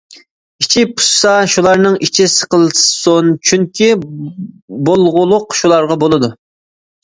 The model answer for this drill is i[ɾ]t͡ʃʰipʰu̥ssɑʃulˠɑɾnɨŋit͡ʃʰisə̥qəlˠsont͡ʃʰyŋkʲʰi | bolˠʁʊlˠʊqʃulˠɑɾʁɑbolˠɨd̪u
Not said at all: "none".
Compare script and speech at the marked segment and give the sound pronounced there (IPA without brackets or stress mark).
none